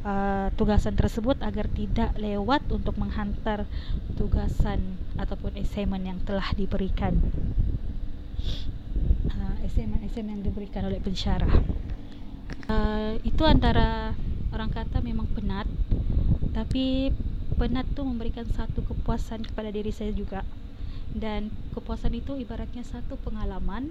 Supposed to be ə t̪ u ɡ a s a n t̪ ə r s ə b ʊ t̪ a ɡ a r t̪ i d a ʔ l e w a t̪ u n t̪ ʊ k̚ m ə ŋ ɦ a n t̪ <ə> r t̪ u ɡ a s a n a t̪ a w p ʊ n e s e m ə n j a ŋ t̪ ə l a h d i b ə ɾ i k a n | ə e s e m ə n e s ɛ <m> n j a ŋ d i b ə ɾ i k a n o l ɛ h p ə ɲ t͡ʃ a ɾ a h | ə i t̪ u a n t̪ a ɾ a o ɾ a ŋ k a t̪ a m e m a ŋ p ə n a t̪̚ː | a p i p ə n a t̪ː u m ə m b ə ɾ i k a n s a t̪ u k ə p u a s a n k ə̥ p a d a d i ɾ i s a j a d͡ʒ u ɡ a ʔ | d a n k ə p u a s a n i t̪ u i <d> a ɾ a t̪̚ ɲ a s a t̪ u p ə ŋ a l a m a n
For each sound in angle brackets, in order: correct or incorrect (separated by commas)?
incorrect, correct, incorrect